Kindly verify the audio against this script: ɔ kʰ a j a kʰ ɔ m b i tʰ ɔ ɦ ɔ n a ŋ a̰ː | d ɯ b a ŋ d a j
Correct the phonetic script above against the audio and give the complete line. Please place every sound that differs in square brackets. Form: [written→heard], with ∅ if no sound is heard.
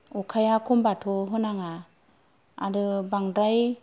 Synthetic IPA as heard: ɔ kʰ a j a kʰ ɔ m b [i→a] tʰ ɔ ɦ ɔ n a ŋ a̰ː | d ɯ b a ŋ d a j